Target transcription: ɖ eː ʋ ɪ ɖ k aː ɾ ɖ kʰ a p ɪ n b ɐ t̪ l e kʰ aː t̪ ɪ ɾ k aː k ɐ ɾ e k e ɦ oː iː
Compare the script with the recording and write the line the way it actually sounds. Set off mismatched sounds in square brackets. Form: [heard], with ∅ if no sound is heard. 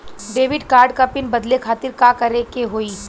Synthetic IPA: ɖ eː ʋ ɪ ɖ k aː ɾ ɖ [k] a p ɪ n b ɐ [d̪] l e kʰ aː t̪ ɪ ɾ k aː k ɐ ɾ e k e ɦ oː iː